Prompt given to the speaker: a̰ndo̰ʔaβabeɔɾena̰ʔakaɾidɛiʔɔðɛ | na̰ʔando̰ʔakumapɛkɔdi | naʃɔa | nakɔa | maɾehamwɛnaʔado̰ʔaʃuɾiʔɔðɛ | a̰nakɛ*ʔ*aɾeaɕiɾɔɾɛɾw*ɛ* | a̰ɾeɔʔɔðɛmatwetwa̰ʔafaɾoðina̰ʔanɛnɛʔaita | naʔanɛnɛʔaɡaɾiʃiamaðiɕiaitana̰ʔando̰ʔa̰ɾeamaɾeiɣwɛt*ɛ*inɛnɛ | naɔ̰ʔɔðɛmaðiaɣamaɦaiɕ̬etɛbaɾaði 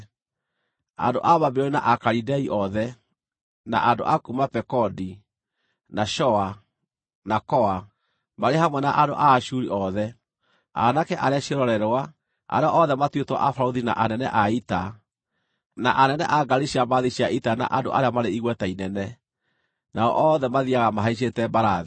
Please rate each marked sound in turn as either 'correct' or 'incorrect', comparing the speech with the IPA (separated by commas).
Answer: correct, incorrect, incorrect